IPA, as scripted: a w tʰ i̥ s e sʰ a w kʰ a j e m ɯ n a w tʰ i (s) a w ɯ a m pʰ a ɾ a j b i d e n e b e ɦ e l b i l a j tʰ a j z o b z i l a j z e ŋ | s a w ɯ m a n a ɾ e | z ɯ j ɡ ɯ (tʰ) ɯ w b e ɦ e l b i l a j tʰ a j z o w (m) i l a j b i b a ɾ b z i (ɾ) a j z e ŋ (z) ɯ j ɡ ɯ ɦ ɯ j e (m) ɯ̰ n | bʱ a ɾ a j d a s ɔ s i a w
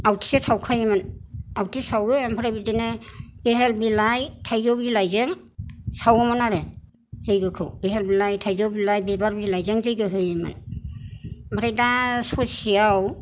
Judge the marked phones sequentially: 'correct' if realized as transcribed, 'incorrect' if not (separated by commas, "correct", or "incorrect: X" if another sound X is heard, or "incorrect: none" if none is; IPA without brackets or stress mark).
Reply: correct, incorrect: kʰ, incorrect: b, incorrect: l, correct, correct